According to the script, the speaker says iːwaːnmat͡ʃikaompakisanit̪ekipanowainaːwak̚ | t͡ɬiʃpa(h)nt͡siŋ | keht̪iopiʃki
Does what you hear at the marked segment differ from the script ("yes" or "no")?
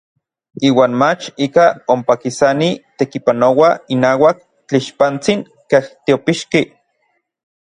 yes